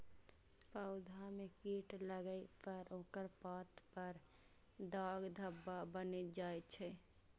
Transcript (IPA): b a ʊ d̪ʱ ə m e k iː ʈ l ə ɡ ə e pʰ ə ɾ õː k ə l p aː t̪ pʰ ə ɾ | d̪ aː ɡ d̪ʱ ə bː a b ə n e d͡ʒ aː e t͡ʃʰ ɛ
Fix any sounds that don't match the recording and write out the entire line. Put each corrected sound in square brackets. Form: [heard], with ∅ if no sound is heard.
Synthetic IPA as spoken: [p] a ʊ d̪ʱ [a] m e k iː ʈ l ə ɡ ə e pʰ ə ɾ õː k ə [ɾ] p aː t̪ [p] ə ɾ | d̪ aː ɡ d̪ʱ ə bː a b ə n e d͡ʒ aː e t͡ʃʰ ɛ